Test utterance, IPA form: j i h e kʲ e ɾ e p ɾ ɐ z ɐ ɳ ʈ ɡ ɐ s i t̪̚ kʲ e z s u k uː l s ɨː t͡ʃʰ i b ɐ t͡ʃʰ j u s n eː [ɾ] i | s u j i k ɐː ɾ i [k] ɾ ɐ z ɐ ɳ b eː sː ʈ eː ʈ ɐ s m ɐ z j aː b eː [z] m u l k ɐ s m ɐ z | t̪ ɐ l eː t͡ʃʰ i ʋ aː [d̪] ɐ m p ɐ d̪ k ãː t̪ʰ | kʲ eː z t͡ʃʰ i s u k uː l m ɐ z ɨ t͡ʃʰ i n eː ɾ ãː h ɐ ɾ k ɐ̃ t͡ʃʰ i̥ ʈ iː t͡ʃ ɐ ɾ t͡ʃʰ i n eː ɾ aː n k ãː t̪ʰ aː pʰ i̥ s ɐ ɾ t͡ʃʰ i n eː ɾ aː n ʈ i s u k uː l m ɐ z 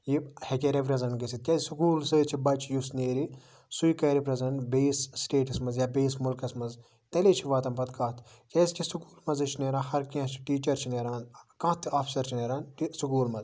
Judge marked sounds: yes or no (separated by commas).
yes, no, no, no